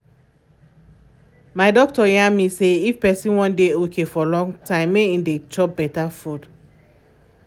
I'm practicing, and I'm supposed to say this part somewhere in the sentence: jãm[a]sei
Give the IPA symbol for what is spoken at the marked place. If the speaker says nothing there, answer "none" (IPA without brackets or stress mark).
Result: i